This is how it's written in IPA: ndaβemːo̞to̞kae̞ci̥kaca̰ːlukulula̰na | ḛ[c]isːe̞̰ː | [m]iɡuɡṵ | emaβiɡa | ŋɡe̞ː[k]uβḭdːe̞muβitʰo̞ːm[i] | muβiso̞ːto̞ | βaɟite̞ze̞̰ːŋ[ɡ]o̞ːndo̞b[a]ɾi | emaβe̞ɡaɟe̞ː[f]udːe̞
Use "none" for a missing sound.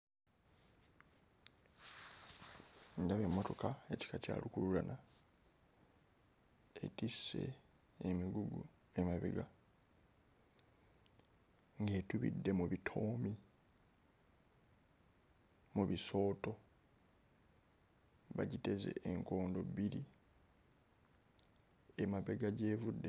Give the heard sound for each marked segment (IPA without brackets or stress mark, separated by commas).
t, m, t, i, k, i, v